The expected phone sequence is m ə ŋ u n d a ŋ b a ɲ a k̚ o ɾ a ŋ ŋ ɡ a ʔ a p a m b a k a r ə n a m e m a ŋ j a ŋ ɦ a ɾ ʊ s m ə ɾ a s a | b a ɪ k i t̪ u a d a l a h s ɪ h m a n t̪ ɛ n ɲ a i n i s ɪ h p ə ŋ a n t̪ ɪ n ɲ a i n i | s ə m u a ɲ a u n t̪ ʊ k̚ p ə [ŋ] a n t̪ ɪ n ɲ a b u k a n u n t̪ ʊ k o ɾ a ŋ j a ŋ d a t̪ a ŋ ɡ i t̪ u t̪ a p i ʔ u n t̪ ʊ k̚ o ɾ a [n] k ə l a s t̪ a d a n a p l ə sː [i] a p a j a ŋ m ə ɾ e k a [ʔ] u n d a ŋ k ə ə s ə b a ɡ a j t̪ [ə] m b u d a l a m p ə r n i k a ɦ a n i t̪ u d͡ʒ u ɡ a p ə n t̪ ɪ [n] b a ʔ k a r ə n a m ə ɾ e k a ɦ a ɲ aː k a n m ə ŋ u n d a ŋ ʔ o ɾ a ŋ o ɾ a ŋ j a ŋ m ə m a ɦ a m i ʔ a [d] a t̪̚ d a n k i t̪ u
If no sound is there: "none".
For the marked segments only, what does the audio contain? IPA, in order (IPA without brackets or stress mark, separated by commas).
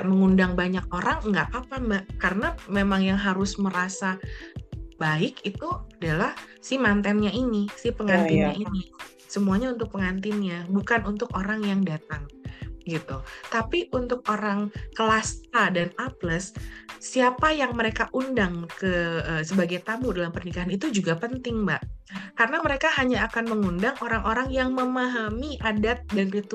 ŋ, ŋ, i, ʔ, a, ŋ, d